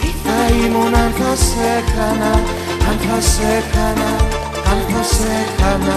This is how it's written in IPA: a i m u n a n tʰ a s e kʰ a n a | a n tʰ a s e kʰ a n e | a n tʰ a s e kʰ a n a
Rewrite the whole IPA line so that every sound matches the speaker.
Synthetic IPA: a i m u n a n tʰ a s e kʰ a n a | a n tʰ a s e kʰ a n a | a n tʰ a s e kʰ a n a